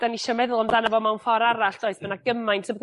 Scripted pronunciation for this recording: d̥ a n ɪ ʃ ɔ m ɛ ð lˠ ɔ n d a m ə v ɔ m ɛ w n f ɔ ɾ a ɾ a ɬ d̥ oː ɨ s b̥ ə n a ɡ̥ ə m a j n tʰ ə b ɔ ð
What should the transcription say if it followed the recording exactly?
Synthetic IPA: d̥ a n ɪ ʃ ɔ m ɛ ð lˠ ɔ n d a n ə v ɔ m a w n f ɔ ɾ a ɾ a ɬ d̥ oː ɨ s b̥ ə n a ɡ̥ ə m a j n tʰ ə b ɔ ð